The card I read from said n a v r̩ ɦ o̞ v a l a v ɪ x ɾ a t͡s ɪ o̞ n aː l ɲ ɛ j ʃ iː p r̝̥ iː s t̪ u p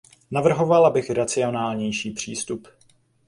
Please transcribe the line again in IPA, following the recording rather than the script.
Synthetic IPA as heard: n a v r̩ ɦ o̞ v a l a b ɪ x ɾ a t͡s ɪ o̞ n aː l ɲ ɛ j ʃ iː p r̝̥ iː s t̪ u p